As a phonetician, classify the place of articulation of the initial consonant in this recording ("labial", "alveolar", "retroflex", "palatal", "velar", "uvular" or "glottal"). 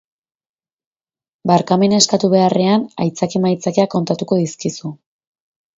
labial